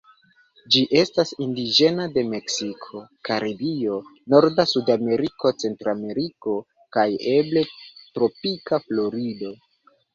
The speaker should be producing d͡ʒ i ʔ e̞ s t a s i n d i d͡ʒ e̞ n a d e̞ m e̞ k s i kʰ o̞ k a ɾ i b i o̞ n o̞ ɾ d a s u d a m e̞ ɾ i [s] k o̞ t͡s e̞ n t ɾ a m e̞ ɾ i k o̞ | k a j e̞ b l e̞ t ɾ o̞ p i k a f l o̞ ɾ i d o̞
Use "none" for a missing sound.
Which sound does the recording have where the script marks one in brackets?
none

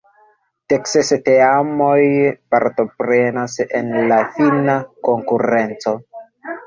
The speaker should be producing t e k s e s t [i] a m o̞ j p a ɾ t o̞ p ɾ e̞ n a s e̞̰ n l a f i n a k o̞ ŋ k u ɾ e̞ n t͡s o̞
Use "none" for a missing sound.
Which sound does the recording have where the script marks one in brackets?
e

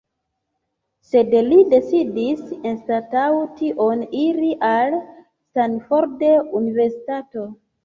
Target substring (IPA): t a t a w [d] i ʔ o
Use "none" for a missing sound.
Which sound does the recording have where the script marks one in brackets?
t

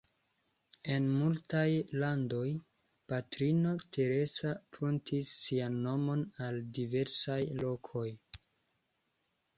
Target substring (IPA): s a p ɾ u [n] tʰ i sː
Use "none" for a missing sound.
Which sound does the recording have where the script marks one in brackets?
n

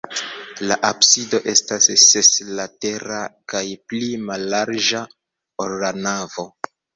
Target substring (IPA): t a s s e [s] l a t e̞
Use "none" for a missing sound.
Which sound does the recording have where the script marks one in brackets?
s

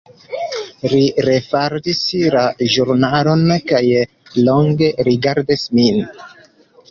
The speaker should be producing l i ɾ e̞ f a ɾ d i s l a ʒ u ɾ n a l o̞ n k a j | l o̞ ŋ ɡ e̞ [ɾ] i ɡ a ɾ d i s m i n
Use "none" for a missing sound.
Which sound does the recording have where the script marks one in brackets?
ɾ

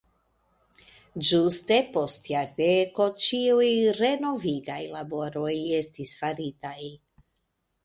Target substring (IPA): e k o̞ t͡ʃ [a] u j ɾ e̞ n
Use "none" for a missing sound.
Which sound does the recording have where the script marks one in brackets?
i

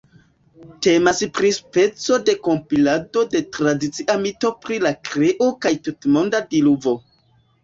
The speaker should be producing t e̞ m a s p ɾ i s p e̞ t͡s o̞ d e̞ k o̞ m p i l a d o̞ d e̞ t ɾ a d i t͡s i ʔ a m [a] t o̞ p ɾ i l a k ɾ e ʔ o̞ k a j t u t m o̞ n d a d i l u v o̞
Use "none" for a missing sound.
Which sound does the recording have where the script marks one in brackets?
i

